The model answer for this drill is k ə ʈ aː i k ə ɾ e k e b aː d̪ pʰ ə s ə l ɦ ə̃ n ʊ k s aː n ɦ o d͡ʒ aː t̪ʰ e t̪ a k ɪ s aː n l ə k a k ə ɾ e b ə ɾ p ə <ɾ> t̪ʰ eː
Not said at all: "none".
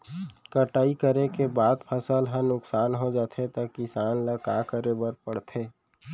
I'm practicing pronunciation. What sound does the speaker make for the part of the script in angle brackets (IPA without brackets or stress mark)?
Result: ɽ